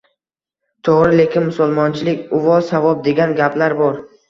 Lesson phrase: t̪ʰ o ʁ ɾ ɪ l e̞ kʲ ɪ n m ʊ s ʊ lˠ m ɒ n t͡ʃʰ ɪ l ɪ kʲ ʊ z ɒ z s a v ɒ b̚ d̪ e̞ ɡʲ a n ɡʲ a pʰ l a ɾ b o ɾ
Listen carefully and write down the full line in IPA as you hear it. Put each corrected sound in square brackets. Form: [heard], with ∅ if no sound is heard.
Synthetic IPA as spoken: t̪ʰ o ʁ ɾ ɪ l e̞ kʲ ɪ n m ʊ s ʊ lˠ m ɒ n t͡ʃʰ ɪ l ɪ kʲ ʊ [v] ɒ z s a v ɒ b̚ d̪ e̞ ɡʲ a n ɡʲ a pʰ l a ɾ b [ɒ] ɾ